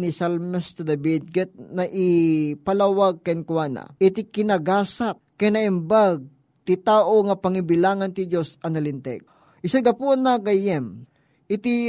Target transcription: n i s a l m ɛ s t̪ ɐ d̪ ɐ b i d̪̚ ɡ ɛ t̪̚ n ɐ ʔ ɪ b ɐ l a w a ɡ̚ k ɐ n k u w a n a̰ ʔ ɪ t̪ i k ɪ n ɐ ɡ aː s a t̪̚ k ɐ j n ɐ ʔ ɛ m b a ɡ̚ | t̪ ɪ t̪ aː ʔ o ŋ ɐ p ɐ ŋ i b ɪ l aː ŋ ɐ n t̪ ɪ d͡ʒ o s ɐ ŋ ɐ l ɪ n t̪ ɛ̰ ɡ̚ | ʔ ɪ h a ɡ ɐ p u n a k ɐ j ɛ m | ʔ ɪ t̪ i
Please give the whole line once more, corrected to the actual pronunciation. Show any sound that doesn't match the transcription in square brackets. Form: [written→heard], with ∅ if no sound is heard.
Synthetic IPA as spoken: n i s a l m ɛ s t̪ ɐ d̪ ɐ b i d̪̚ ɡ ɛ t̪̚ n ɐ ʔ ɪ [b→p] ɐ l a w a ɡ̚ k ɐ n k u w a n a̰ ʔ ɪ t̪ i k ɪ n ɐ ɡ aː s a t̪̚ k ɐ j n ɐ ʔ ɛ m b a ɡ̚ | t̪ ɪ t̪ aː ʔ o ŋ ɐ p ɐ ŋ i b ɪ l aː ŋ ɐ n t̪ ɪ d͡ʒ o s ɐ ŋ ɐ l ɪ n t̪ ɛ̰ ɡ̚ | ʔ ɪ [h→s] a ɡ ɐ p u n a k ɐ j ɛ m | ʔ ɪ t̪ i